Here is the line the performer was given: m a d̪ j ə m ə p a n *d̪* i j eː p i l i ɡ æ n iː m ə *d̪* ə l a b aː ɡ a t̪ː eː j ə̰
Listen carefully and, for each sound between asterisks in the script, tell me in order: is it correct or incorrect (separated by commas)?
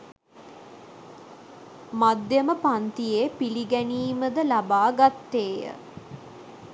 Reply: incorrect, correct